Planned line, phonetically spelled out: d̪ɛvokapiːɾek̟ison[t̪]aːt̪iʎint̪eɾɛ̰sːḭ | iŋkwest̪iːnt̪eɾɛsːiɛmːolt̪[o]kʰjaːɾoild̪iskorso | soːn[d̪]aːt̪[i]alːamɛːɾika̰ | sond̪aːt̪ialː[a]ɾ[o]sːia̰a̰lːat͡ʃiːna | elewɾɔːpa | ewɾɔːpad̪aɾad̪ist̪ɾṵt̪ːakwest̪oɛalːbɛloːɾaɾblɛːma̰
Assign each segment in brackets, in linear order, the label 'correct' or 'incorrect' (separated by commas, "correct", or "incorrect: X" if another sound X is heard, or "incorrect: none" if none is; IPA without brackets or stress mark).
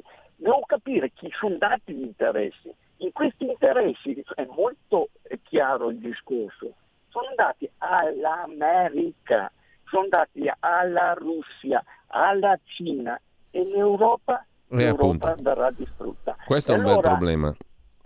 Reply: incorrect: d̪, correct, correct, correct, correct, incorrect: u